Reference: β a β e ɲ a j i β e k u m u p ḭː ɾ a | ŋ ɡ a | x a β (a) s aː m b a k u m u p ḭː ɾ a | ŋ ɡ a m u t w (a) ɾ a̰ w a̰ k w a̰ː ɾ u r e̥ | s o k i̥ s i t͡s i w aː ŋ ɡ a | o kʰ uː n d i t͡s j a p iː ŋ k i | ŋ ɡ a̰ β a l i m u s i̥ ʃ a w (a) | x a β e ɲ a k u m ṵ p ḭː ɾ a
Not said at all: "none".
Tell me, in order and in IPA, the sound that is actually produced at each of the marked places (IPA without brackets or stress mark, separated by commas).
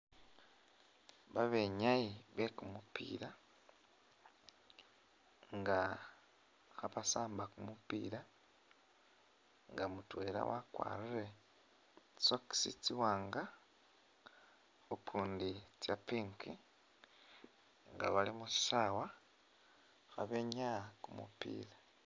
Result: a, e, a